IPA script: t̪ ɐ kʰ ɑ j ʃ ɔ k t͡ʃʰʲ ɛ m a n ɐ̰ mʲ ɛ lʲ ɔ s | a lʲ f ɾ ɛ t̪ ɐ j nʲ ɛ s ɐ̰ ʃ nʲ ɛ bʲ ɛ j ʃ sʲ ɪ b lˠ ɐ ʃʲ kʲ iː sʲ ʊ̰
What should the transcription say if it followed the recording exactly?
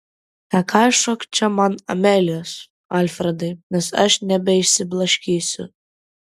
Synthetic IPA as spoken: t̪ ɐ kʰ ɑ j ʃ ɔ k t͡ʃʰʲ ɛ m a n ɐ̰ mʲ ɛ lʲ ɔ s | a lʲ f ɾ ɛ d̪ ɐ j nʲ ɛ s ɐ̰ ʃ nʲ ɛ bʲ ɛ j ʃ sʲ ɪ b lˠ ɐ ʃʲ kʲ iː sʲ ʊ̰